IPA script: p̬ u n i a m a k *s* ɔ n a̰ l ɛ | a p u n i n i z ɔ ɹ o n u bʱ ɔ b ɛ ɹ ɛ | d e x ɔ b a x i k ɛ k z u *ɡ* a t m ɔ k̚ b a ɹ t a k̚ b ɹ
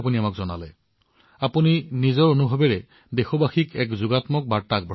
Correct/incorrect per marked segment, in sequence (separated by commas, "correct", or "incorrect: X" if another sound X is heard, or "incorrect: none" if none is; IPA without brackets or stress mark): incorrect: z, correct